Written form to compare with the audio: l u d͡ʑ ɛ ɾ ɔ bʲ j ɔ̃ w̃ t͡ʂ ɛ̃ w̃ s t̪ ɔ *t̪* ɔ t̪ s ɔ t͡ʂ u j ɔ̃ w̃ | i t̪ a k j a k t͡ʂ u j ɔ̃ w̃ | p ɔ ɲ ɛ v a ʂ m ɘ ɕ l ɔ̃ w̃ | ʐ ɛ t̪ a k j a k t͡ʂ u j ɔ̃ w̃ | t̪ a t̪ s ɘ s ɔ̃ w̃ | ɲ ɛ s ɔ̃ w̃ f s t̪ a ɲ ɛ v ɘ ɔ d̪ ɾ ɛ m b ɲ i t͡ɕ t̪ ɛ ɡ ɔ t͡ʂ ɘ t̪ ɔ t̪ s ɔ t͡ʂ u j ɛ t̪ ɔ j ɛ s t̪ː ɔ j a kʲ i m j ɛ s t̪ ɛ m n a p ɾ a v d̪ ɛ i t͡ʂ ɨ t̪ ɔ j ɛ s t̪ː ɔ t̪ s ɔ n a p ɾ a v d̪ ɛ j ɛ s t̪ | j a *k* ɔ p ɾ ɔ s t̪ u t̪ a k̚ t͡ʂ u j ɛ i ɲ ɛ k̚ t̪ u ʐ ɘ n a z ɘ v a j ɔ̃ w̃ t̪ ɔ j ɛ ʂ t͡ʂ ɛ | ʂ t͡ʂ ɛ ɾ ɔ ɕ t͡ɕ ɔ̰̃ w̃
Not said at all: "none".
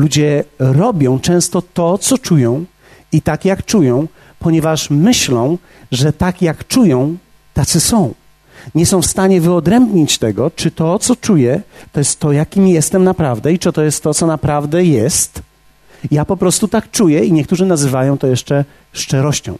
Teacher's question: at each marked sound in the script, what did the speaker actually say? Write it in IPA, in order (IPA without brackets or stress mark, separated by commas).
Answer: t̪, p